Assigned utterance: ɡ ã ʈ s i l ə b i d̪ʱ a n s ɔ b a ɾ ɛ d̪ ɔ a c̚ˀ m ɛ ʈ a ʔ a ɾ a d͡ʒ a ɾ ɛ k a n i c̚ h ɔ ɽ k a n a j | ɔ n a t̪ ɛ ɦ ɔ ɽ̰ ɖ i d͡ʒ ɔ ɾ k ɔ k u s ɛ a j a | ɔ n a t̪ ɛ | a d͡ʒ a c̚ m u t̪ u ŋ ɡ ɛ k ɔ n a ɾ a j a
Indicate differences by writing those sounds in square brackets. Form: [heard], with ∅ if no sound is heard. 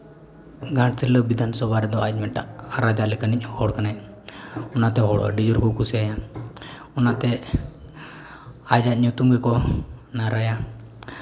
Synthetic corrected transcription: ɡ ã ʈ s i l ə b i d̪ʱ a n s ɔ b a ɾ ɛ d̪ ɔ a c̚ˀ m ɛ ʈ a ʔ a ɾ a d͡ʒ a [l] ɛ k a n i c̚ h ɔ ɽ k a n a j | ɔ n a t̪ ɛ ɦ ɔ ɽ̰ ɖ i d͡ʒ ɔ ɾ k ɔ k u s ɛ a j a | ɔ n a t̪ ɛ | a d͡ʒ a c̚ [ɲ] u t̪ u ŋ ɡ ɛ k ɔ n a ɾ a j a